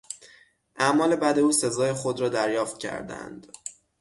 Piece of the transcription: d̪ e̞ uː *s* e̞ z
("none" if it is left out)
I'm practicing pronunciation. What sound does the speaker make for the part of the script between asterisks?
s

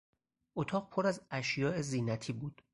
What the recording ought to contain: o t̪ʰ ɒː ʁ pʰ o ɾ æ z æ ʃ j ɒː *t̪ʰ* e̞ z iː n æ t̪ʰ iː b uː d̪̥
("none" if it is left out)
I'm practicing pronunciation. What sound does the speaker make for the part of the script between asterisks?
none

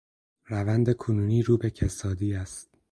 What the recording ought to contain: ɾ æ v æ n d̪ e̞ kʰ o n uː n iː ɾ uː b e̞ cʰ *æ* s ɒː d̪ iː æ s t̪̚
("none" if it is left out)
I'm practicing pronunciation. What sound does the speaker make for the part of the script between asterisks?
e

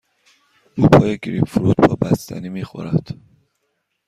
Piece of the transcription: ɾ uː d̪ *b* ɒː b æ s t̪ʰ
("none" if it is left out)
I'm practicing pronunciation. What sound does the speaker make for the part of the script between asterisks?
b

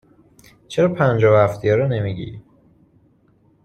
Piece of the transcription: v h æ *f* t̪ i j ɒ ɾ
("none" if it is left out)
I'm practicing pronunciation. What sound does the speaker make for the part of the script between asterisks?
f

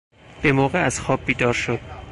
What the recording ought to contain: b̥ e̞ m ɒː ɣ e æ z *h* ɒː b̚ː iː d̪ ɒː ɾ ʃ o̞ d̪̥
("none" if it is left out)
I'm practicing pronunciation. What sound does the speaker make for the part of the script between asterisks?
x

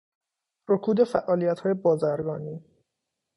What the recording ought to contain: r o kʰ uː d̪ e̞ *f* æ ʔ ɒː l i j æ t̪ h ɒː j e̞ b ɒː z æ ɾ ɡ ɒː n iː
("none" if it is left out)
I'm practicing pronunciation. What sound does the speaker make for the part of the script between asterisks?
f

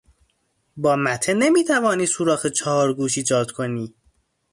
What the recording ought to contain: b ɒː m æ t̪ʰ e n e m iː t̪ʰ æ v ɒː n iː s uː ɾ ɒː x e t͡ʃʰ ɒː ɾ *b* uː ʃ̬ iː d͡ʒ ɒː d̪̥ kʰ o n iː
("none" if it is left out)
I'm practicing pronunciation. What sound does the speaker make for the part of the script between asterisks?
ɡ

